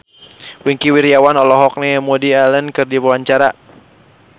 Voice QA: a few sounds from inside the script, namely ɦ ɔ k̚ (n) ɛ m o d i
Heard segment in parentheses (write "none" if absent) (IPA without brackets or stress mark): n